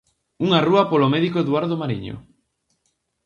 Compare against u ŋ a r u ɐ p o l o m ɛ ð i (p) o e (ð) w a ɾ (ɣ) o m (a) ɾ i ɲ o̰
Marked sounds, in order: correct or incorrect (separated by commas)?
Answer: incorrect, correct, incorrect, correct